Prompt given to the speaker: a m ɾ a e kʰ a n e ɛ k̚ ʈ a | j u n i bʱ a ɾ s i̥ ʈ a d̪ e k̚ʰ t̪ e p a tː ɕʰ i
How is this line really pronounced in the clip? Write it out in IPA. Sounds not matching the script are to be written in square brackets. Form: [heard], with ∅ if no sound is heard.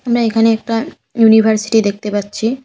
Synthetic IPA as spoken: a m ɾ a e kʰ a n e ɛ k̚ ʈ a | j u n i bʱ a ɾ s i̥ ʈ [i] d̪ e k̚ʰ t̪ e p a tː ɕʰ i